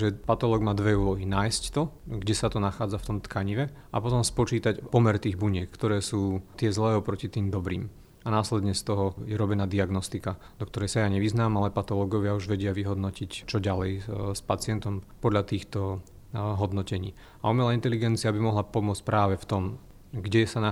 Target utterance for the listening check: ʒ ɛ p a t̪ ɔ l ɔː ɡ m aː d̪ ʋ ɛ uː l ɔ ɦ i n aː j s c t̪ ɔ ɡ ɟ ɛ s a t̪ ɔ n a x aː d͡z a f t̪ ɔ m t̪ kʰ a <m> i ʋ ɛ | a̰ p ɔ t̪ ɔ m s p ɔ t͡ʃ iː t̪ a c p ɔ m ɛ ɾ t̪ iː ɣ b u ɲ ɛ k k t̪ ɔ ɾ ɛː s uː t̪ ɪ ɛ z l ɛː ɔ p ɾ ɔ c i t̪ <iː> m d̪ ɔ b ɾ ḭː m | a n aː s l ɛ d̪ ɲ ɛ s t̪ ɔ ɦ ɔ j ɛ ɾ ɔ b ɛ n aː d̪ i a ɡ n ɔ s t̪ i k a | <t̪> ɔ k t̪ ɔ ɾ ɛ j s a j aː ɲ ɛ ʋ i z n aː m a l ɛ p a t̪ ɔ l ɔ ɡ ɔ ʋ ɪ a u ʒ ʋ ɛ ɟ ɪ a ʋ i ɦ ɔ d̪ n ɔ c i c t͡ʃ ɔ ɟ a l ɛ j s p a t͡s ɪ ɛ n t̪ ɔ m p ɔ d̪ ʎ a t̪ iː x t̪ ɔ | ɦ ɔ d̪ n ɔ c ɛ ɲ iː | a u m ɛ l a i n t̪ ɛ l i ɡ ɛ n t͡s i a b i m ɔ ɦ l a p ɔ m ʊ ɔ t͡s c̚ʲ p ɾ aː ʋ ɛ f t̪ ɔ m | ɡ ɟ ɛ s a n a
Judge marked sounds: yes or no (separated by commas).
no, yes, no